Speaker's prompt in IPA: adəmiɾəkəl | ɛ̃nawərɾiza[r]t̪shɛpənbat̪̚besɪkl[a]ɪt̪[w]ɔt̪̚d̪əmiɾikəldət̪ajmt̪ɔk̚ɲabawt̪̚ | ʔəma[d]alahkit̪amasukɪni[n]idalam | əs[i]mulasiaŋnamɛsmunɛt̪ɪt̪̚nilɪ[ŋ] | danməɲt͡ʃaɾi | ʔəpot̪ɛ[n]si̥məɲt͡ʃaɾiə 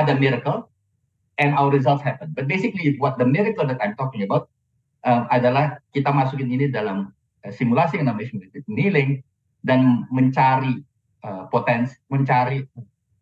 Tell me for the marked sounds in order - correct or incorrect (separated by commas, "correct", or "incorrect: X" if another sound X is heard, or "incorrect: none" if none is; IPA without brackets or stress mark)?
incorrect: l, incorrect: i, correct, correct, correct, correct, correct, correct